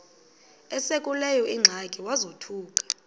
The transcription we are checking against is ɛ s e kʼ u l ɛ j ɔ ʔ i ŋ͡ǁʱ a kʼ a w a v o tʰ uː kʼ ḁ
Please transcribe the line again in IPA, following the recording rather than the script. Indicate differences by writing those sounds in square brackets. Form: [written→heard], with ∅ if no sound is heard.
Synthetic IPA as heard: ɛ s e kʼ u l ɛ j ɔ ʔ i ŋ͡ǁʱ a kʼ [a→i] w a [v→z] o tʰ uː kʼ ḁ